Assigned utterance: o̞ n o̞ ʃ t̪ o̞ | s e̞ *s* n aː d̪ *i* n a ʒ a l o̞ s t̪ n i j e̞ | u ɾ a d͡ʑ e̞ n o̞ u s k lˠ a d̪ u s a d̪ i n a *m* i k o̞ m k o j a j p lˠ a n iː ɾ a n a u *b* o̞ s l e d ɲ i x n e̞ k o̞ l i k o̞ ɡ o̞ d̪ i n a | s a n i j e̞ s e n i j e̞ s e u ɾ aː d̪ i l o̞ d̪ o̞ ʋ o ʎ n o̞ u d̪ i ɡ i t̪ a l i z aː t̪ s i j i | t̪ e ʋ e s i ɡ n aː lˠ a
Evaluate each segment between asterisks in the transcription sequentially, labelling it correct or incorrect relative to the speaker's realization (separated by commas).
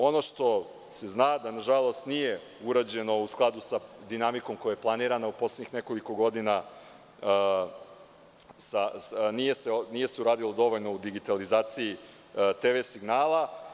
incorrect, incorrect, correct, incorrect